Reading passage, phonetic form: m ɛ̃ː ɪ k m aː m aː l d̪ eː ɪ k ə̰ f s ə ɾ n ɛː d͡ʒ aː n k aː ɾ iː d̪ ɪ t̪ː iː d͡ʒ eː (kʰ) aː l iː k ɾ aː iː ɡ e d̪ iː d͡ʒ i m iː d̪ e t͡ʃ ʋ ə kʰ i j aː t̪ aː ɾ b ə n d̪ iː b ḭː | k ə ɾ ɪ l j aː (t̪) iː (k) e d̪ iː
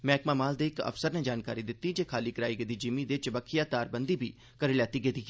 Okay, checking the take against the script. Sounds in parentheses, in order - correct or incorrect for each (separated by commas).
correct, correct, incorrect